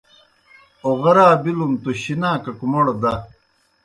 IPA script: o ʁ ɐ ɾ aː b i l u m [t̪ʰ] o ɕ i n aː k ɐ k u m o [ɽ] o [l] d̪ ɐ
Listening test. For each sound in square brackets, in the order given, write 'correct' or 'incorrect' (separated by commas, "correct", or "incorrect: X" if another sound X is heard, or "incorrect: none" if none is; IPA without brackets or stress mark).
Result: incorrect: t̪, correct, incorrect: none